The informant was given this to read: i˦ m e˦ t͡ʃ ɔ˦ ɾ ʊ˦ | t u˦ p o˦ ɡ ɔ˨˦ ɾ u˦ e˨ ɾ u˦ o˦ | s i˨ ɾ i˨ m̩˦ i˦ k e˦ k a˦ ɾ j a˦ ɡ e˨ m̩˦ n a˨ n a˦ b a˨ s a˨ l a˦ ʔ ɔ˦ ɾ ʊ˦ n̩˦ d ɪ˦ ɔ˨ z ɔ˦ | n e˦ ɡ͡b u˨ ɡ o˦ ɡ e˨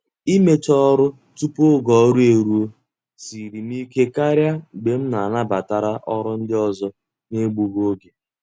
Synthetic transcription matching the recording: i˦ m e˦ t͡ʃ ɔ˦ ɾ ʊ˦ | t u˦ p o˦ ɡ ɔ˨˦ ɾ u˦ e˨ ɾ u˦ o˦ | s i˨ ɾ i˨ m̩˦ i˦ k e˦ k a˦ ɾ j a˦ ɡ͡b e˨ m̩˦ n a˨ n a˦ b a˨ t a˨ ɾ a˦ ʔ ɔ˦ ɾ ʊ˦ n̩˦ d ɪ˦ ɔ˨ z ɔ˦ | n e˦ ɡ͡b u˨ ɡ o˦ ɡ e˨